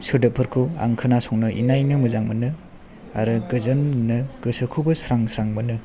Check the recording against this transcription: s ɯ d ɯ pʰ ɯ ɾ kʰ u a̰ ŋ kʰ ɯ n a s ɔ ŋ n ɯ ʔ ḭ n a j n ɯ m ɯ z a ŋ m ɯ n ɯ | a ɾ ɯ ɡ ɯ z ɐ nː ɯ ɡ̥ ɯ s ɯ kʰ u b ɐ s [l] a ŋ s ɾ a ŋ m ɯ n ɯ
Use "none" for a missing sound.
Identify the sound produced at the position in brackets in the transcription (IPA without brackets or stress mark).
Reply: ɾ